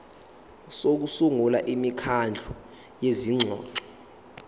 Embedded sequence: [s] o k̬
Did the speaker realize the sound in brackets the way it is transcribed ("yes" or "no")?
yes